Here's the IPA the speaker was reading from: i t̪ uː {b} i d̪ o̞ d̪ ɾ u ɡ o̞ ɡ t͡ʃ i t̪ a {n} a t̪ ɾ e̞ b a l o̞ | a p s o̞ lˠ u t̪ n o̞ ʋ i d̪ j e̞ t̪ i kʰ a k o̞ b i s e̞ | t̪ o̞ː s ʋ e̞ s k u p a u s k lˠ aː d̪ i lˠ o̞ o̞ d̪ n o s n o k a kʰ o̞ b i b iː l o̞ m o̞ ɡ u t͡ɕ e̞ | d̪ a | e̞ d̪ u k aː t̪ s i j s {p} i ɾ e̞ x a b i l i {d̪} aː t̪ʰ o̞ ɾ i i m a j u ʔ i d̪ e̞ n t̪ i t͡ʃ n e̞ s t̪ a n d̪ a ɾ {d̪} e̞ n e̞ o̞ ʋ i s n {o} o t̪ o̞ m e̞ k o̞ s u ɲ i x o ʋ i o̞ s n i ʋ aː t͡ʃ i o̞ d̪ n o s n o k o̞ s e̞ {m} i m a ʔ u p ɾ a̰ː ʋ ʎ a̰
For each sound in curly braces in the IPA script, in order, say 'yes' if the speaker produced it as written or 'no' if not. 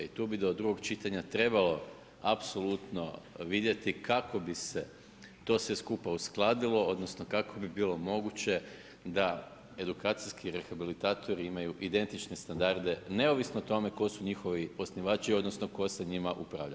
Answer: yes, no, no, no, yes, yes, no

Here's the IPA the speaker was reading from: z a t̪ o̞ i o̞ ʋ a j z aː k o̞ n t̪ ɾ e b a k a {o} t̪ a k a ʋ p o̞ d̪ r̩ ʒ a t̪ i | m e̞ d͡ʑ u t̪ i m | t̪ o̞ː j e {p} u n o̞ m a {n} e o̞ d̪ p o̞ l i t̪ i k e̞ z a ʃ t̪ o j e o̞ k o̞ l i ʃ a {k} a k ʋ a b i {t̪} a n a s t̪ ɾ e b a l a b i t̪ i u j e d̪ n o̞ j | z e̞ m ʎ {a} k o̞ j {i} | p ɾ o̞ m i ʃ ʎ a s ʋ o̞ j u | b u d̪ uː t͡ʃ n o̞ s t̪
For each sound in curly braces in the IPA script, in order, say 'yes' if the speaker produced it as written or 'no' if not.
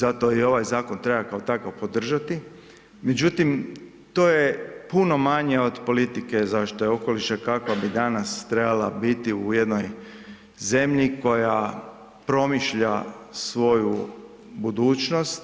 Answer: yes, yes, no, yes, no, no, no

